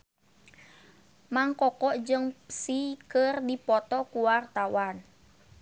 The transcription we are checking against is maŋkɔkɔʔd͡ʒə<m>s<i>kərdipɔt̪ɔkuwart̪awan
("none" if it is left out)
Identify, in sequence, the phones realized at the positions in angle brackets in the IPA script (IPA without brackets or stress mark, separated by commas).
ŋ, i